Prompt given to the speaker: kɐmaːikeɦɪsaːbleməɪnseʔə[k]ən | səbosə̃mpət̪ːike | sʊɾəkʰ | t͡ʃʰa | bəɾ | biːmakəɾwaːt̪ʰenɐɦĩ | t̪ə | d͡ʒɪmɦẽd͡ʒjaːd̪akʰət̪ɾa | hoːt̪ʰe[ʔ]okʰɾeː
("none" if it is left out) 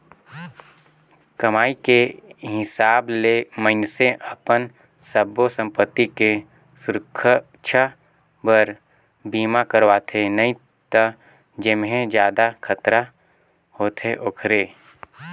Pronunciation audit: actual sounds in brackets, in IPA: p, ʔ

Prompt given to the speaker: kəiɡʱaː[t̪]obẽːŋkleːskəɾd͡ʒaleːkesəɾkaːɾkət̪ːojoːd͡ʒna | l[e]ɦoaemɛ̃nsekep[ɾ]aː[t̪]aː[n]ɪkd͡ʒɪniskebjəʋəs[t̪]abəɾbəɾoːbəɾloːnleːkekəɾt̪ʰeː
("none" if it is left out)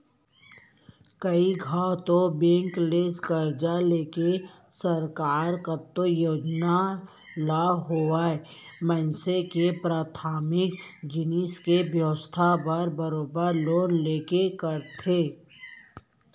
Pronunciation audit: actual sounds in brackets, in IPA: t̪, a, ɾ, t̪ʰ, m, t̪ʰ

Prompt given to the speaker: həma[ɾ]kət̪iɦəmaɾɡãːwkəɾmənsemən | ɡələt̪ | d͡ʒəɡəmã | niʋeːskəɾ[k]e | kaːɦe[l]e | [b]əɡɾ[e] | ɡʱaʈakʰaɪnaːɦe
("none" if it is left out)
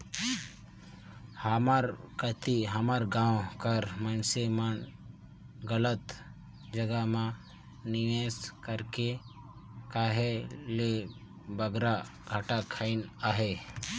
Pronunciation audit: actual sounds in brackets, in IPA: ɾ, k, l, b, a

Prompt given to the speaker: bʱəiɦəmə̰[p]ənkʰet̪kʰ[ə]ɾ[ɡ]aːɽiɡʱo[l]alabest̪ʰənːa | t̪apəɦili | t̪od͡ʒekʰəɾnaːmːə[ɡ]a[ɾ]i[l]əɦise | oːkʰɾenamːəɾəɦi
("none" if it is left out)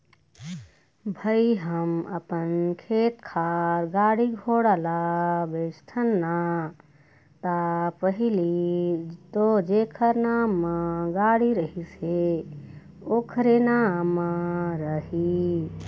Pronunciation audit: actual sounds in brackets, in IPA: p, a, ɡ, ɽ, ɡ, ɽ, ɾ

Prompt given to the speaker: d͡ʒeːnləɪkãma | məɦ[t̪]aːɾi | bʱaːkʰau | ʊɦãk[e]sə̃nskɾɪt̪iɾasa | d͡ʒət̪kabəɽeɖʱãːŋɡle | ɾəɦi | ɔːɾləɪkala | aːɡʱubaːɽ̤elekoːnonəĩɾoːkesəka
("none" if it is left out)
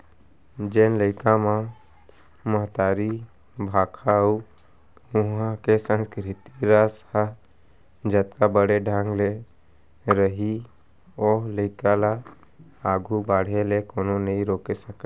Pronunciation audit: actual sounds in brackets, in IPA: t̪, e

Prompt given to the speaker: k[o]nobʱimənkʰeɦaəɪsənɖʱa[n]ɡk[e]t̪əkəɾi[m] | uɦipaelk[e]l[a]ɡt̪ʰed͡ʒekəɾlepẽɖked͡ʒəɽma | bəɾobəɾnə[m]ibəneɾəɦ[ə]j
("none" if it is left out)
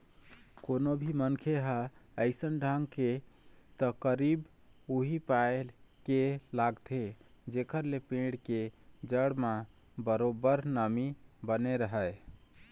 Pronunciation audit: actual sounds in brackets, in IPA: o, ŋ, e, b, e, a, m, ə

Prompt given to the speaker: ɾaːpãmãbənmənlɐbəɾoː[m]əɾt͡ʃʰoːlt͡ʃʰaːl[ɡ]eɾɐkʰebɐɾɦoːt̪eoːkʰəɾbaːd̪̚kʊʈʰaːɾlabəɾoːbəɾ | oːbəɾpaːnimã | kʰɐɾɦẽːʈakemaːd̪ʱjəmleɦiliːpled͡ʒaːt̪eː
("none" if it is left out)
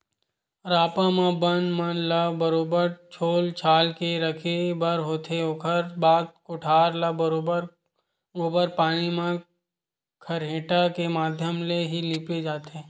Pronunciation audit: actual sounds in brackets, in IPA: b, k

